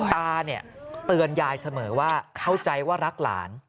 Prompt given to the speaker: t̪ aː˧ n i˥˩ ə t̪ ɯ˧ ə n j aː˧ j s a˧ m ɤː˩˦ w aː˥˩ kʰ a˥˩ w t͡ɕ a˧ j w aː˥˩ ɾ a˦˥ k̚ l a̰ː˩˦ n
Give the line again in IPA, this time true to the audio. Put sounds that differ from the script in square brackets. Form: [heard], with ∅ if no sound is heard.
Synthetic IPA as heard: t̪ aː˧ n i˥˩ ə t̪ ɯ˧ ə n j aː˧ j s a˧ m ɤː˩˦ w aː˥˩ kʰ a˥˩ w t͡ɕ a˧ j w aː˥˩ ɾ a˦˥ k̚ l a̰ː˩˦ n